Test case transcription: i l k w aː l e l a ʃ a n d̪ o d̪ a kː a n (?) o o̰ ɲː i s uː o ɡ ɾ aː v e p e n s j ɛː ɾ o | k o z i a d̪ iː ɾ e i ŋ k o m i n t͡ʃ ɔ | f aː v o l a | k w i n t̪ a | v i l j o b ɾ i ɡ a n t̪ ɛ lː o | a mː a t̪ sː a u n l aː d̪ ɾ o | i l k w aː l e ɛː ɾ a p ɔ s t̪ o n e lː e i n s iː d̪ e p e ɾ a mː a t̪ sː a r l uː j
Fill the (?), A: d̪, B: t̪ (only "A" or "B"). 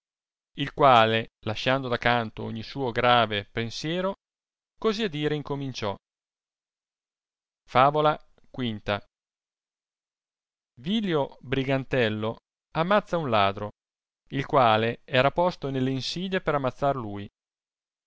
B